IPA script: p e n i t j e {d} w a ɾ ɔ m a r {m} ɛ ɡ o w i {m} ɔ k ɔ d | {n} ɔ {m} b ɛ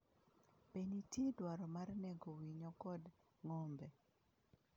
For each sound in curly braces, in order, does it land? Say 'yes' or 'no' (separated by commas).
yes, no, no, no, yes